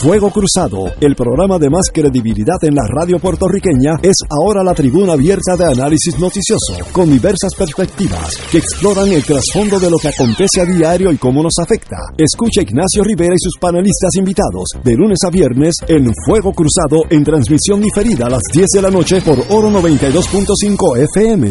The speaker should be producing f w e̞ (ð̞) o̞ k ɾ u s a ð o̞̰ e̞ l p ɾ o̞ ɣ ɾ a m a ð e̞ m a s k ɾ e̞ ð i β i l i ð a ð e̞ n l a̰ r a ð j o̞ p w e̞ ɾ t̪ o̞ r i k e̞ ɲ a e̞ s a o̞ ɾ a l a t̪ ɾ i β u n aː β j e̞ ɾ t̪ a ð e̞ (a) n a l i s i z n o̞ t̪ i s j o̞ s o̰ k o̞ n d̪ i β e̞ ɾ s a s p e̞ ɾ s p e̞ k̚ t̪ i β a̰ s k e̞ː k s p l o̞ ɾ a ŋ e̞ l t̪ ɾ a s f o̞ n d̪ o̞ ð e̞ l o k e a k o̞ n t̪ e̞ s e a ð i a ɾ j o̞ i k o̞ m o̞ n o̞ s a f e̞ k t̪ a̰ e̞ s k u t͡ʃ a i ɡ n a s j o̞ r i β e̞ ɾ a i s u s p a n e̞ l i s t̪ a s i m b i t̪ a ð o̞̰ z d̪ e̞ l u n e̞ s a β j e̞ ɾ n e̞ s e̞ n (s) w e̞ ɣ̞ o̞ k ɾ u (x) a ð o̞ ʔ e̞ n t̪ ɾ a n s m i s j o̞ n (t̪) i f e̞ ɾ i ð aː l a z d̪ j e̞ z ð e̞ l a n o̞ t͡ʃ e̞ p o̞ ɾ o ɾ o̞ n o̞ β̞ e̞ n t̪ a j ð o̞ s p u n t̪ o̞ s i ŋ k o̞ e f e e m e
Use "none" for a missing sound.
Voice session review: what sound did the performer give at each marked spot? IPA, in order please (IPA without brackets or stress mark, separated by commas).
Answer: ɣ̞, a, f, s, d̪